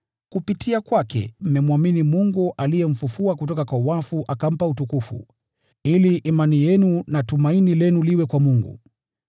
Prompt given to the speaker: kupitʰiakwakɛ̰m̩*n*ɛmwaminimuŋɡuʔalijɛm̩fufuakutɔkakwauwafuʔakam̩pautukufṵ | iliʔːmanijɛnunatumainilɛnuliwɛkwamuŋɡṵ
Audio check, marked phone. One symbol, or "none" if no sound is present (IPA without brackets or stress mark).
m